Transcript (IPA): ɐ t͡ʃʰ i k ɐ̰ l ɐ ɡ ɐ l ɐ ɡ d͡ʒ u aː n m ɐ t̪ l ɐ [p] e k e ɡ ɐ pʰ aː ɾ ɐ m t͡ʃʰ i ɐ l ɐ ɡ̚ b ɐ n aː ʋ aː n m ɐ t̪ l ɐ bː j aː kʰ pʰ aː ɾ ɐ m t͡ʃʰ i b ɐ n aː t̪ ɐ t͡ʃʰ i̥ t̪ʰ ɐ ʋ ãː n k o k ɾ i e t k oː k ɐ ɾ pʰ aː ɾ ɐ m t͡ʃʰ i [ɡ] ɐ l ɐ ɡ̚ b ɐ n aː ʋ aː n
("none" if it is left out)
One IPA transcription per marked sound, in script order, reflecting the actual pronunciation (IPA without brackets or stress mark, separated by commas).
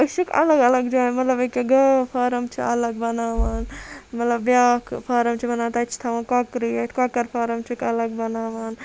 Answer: b, k